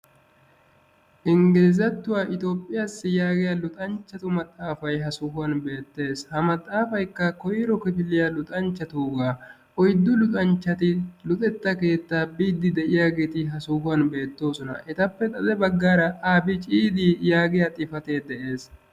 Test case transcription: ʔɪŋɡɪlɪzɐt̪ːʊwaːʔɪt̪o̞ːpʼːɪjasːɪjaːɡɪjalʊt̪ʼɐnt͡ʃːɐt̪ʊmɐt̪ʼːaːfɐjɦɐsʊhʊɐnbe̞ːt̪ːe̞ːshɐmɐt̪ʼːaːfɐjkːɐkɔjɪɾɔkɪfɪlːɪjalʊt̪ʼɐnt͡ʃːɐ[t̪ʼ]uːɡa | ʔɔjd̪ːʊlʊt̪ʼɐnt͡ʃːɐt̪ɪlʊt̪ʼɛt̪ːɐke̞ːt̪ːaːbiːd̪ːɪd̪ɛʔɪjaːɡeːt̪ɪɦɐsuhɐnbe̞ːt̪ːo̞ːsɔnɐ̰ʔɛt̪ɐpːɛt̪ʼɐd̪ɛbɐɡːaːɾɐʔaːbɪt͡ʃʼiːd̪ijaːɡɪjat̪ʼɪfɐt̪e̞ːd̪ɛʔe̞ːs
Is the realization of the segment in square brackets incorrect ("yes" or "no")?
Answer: yes